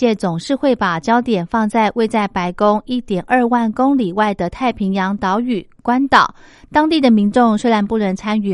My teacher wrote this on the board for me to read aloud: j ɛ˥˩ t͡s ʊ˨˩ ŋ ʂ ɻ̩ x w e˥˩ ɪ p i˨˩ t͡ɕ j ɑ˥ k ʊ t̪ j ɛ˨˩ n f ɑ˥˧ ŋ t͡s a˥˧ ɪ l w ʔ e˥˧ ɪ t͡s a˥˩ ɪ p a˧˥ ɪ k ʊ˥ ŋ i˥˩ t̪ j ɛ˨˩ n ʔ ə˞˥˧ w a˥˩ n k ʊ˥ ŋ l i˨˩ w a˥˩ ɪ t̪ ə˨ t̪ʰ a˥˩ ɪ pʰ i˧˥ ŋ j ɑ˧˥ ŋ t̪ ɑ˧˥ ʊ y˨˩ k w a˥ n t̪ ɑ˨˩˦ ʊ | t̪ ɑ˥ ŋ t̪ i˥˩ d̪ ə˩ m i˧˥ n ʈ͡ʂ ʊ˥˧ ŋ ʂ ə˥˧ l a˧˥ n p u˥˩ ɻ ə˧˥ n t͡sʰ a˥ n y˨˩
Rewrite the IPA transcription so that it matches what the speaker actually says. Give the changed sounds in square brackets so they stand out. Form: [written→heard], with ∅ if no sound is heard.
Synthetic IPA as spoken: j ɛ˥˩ t͡s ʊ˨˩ ŋ ʂ ɻ̩ x w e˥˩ ɪ p [i˨˩→a˨˩] t͡ɕ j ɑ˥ [k→∅] ʊ t̪ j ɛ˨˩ n f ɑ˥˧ ŋ t͡s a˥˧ ɪ [l→∅] w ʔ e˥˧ ɪ t͡s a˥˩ ɪ p a˧˥ ɪ k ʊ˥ ŋ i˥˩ t̪ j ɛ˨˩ n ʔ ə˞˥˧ w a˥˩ n k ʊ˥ ŋ l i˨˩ w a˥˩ ɪ [t̪→d̪] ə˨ t̪ʰ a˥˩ ɪ pʰ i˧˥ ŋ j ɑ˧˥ ŋ t̪ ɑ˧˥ ʊ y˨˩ k w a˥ n t̪ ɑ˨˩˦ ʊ | t̪ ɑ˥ ŋ t̪ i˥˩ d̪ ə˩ m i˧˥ n ʈ͡ʂ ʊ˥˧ ŋ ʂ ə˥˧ l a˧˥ n p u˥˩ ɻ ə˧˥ n t͡sʰ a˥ n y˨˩